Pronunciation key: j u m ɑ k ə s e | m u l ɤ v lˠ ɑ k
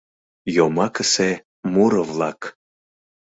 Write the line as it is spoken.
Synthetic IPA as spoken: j o m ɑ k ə s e | m u ɾ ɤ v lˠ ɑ k